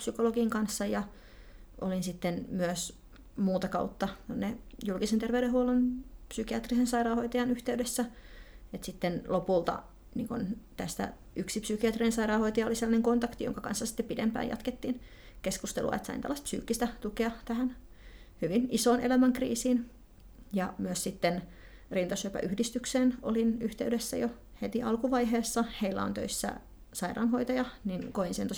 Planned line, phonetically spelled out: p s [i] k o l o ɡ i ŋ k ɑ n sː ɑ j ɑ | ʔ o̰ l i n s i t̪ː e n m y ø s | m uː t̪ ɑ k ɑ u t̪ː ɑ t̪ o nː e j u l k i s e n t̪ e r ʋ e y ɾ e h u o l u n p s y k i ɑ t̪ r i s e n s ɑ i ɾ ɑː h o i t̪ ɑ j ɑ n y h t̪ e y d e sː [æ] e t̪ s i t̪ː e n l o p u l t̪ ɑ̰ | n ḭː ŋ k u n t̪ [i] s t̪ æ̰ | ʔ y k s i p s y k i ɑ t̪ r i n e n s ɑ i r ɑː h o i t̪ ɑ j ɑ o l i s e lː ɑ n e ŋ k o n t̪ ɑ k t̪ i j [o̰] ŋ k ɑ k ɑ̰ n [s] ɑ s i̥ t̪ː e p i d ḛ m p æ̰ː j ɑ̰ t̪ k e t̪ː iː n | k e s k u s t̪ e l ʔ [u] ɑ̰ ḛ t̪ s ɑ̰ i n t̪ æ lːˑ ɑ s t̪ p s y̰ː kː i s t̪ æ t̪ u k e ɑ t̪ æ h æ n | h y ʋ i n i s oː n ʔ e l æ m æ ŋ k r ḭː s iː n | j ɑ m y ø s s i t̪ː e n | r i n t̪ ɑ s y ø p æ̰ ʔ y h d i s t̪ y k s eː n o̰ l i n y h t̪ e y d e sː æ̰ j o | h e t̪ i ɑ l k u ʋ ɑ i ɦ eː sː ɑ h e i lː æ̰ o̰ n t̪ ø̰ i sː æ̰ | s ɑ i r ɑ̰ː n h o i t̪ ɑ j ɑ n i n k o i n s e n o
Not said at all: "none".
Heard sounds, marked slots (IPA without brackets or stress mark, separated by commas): y, æ, æ, o̰, sː, u